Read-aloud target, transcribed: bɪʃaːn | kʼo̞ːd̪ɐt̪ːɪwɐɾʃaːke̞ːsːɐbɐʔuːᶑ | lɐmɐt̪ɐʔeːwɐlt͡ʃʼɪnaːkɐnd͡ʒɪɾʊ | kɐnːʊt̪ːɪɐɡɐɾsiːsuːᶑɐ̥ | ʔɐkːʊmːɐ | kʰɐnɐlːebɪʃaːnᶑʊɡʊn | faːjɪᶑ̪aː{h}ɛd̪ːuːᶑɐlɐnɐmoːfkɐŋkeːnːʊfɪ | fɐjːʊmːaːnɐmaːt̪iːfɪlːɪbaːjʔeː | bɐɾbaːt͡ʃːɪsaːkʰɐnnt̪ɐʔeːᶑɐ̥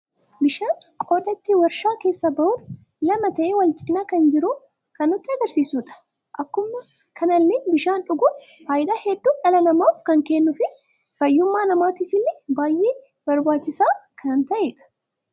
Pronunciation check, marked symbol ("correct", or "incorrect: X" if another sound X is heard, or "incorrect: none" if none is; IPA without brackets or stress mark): correct